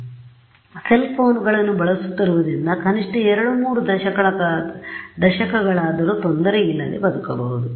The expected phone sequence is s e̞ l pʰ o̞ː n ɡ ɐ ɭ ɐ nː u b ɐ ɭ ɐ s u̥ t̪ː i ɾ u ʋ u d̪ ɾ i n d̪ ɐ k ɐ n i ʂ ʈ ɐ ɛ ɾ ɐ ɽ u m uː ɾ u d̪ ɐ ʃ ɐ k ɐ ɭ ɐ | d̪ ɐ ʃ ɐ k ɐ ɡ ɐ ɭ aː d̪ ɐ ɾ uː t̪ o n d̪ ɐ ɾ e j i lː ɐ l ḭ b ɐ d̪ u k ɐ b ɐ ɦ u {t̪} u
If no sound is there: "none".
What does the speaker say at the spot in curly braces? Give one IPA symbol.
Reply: d̪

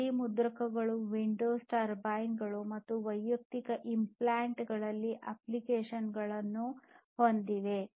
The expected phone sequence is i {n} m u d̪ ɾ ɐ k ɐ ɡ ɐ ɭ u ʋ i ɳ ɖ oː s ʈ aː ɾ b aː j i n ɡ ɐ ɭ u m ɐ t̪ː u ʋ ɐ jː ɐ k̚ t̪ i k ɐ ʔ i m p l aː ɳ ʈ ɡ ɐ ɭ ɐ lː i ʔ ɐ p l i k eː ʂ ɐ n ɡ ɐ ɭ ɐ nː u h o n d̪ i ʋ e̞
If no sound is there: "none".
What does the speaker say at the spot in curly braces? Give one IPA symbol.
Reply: none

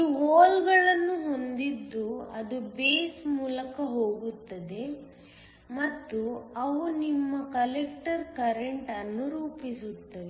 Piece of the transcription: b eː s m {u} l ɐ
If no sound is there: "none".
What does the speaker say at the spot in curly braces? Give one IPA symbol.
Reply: uː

